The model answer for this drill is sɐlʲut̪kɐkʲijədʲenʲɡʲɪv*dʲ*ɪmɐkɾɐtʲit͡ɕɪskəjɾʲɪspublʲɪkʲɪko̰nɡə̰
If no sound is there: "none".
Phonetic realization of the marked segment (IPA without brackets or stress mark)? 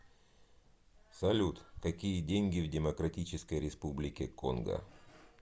dʲ